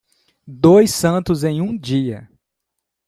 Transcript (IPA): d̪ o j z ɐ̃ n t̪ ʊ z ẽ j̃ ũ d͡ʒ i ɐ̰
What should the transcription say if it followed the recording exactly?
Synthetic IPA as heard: d̪ o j s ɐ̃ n t̪ ʊ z ẽ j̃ ũ d͡ʒ i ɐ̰